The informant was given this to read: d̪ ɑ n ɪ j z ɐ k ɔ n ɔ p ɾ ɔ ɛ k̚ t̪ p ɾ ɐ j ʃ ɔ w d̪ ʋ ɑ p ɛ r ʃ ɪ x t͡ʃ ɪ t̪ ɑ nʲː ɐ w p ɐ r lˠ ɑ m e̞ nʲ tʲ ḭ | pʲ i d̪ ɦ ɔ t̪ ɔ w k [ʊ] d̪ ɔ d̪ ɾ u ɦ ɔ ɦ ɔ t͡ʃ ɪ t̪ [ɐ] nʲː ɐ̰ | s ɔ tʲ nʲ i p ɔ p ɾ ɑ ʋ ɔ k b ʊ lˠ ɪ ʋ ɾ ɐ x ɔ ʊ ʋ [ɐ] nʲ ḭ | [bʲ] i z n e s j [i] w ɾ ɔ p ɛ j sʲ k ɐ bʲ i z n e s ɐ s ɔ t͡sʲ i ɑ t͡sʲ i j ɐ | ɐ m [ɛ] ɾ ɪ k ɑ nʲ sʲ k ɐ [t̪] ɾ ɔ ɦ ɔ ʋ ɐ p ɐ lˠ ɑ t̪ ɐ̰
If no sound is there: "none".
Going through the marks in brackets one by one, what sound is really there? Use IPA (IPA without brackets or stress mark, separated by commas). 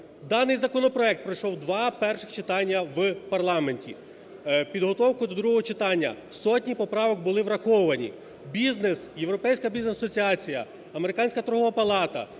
ʊ, ɑ, ɐ, bʲ, e, e, t̪